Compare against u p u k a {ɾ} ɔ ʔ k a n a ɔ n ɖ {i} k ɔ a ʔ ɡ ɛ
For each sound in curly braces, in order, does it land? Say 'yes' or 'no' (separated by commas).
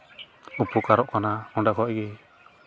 yes, no